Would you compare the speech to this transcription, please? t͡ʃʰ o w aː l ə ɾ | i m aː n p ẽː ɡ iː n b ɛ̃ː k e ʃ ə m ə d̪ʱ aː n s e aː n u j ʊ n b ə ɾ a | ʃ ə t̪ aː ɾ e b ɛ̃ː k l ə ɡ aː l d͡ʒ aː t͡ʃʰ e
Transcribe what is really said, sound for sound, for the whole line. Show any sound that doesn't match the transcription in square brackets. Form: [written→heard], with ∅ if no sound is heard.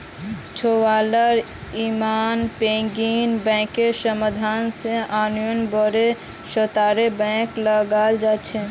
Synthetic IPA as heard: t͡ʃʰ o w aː l ə ɾ | i m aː n p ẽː ɡ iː n b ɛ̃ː k e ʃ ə m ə d̪ʱ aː n s e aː n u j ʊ n b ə ɾ [a→e] | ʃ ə t̪ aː ɾ e b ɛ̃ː k l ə ɡ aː l d͡ʒ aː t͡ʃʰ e

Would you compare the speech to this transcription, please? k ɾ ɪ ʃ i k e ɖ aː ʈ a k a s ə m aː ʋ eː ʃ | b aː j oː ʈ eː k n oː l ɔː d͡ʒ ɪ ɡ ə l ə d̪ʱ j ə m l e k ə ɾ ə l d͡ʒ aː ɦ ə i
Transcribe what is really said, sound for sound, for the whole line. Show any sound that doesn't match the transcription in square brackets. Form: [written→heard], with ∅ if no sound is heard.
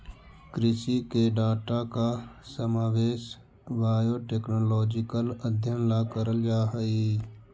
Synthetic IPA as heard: k ɾ ɪ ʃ i k e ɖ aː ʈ a k a s ə m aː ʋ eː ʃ | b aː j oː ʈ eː k n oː l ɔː d͡ʒ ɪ [ɡ→k] ə l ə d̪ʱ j ə [m→n] l [e→a] k ə ɾ ə l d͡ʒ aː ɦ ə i

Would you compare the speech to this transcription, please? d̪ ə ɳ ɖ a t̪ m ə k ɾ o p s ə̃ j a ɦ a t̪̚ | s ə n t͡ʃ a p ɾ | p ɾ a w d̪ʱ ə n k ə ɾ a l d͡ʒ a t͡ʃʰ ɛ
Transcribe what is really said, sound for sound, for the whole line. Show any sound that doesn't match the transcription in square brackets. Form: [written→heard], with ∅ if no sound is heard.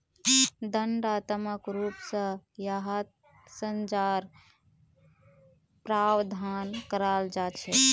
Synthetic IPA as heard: d̪ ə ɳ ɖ a t̪ m ə k ɾ [o→u] p s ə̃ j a ɦ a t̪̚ | s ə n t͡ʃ a [p→∅] ɾ | p ɾ a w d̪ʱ [ə→a] n k ə ɾ a l d͡ʒ a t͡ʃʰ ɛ

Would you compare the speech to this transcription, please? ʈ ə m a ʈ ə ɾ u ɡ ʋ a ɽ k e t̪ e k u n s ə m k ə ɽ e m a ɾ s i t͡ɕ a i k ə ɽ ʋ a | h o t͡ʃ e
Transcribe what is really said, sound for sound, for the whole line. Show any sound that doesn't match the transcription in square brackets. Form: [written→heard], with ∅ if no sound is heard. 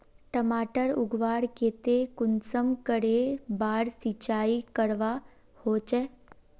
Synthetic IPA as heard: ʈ ə m a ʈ ə ɾ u ɡ ʋ a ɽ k e t̪ e k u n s ə m k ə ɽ e [m→b] a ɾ s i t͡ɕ a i k ə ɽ ʋ a | h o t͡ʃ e

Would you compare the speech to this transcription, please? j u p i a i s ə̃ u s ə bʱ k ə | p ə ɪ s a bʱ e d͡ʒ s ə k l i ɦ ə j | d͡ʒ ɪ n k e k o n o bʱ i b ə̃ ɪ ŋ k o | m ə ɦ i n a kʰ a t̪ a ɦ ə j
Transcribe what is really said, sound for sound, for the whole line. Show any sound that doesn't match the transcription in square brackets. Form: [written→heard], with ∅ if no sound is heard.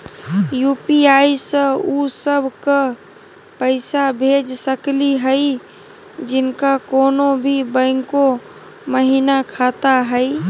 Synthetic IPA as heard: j u p i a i s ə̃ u s ə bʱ k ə | p ə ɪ s a bʱ e d͡ʒ s ə k l i ɦ ə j | d͡ʒ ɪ n k [e→a] k o n o bʱ i b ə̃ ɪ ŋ k o | m ə ɦ i n a kʰ a t̪ a ɦ ə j

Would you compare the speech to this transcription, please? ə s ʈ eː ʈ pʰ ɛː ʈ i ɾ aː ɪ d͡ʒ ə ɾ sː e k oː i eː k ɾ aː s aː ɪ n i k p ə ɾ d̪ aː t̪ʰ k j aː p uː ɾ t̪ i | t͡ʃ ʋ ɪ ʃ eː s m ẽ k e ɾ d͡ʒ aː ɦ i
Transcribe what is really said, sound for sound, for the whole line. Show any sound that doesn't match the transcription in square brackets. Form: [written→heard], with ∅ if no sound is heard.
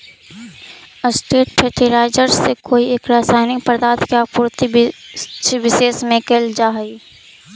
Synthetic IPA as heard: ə s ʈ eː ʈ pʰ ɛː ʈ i ɾ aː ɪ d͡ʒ ə ɾ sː e k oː i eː k ɾ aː s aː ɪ n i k p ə ɾ d̪ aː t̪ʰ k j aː p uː ɾ t̪ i | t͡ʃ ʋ ɪ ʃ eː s m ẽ k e [ɾ→l] d͡ʒ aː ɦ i

